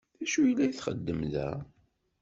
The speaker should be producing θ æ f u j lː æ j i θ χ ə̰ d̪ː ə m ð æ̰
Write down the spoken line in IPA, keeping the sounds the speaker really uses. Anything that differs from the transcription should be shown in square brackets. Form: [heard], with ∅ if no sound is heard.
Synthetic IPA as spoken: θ æ [ʃ] u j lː æ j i θ χ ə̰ d̪ː ə m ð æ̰